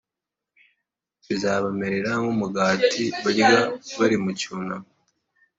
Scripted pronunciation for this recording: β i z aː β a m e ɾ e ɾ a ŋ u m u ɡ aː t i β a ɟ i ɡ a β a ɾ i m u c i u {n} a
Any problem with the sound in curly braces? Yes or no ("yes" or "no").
no